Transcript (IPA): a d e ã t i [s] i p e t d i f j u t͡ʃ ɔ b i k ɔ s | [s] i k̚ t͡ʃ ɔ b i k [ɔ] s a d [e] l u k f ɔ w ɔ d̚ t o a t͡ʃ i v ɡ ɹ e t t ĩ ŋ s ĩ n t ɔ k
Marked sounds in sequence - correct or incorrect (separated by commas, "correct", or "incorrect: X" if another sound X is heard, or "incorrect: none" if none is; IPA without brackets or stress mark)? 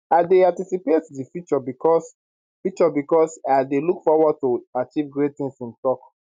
correct, incorrect: f, correct, correct